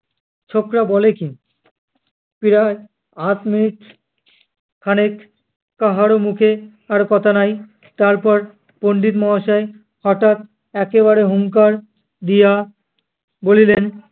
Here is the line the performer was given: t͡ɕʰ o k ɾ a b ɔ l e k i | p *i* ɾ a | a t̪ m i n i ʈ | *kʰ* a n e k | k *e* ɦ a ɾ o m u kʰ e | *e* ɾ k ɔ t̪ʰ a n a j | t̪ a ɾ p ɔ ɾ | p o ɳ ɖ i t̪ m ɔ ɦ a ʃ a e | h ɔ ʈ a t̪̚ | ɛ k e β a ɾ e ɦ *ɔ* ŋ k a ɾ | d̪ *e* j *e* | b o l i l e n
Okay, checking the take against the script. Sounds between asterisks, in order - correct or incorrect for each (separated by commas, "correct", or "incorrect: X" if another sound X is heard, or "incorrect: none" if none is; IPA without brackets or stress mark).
correct, correct, incorrect: a, incorrect: a, incorrect: u, incorrect: i, incorrect: a